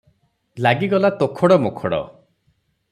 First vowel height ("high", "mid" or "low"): low